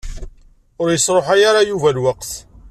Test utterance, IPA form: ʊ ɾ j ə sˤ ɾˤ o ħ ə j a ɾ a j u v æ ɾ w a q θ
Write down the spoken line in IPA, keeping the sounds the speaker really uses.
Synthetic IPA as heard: ʊ ɾ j ə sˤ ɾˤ o ħ a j a ɾ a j u v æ l w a q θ